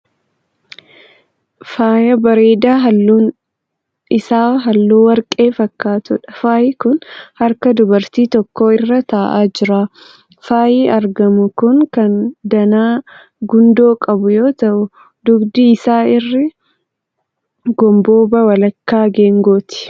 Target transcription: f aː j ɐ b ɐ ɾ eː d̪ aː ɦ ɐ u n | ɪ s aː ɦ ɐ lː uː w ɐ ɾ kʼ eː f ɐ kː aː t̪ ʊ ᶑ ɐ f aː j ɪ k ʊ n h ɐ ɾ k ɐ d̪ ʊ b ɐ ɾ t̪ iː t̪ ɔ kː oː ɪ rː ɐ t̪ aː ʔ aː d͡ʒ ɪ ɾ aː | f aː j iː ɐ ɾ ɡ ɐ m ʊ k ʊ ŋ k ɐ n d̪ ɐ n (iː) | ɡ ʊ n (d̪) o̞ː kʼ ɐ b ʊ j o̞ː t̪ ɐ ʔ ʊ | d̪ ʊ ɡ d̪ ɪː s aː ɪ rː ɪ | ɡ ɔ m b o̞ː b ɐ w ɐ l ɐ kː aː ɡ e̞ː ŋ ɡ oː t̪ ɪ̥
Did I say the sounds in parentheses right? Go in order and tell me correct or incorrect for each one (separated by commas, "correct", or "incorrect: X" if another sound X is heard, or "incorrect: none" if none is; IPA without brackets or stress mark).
incorrect: aː, correct